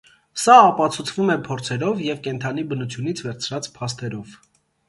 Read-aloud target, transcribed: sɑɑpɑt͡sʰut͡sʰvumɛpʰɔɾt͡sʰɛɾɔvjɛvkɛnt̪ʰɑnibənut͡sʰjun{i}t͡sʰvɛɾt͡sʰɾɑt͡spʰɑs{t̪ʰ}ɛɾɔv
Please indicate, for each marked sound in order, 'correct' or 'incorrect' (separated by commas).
correct, incorrect